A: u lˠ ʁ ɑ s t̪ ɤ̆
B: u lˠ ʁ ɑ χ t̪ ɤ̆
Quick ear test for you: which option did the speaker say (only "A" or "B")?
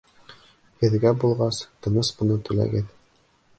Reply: A